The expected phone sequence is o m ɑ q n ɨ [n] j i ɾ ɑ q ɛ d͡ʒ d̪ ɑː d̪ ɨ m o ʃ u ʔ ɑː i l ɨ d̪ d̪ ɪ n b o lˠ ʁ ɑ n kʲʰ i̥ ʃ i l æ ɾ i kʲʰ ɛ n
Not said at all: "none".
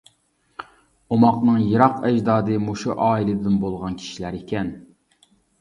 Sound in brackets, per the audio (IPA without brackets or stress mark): ŋ